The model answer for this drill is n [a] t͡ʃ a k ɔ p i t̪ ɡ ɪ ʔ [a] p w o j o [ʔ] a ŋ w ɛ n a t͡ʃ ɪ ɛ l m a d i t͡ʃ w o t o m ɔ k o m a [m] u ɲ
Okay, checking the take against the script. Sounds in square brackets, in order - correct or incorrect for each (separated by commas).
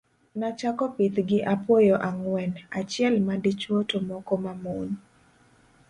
correct, correct, correct, correct